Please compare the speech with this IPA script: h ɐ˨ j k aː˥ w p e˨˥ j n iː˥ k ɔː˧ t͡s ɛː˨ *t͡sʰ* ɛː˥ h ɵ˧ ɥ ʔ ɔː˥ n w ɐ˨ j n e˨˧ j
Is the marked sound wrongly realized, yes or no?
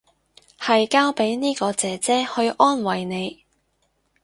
yes